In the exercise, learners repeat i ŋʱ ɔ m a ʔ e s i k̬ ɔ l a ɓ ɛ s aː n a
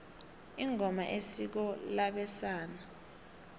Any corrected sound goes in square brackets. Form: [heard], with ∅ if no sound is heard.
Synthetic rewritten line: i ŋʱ ɔ m a ʔ e s i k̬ ɔ l a ɓ ɛ s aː n a